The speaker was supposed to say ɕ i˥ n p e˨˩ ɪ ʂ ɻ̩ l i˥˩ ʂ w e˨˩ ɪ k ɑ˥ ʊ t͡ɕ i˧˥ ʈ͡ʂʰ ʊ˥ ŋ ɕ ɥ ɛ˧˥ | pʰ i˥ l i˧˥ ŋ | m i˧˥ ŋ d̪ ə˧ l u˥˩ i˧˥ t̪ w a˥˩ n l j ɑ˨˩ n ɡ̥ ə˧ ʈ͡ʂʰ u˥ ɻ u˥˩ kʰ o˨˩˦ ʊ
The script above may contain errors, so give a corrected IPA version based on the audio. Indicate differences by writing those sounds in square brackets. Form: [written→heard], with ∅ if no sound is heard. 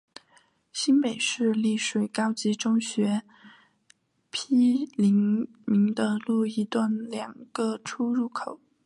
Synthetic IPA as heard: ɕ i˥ n p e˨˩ ɪ ʂ ɻ̩ l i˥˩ ʂ w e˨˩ ɪ k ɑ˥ ʊ t͡ɕ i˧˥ [ʈ͡ʂʰ→ʈ͡ʂ] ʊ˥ ŋ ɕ ɥ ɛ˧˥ | pʰ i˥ l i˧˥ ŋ | m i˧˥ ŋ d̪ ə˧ l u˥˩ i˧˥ t̪ w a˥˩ n l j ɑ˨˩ [n→ŋ] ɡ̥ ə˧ ʈ͡ʂʰ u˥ ɻ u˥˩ kʰ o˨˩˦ ʊ